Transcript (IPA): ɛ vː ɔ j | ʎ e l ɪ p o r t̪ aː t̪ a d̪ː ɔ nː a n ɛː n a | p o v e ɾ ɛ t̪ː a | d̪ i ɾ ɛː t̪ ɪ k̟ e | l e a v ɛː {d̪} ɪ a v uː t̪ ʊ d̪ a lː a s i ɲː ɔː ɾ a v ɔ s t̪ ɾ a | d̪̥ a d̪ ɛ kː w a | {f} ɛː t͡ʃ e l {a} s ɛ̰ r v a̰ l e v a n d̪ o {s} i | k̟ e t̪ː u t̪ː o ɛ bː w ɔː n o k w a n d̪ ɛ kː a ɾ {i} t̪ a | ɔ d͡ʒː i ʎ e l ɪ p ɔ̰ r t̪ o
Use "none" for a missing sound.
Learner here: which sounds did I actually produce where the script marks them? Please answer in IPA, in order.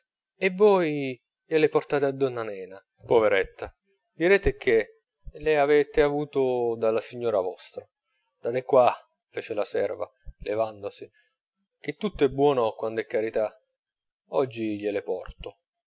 t̪, f, a, s, i

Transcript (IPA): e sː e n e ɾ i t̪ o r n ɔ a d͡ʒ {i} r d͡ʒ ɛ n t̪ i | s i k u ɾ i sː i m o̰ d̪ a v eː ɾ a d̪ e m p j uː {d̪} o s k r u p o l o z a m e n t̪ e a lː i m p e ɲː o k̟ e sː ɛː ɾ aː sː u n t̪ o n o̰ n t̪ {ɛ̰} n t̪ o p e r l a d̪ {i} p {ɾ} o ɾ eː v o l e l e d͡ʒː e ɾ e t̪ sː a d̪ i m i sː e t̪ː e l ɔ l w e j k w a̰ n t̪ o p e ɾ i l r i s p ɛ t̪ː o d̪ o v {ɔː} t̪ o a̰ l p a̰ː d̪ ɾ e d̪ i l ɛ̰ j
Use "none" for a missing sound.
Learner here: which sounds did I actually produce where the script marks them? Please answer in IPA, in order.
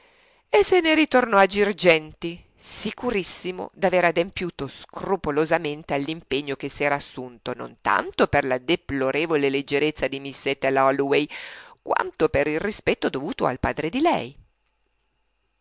i, t̪, a̰, e, l, uː

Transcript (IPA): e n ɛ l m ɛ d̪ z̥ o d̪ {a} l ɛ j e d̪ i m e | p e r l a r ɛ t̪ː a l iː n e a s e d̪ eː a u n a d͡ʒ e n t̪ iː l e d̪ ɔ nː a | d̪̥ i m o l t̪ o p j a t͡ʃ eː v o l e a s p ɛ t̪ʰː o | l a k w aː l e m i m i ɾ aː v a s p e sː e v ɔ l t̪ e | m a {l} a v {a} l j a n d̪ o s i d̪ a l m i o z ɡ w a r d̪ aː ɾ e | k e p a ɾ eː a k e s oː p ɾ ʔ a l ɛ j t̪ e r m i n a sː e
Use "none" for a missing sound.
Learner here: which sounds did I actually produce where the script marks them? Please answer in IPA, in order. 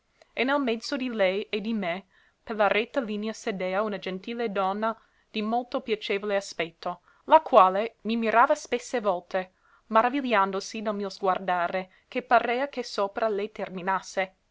i, ɾ, i

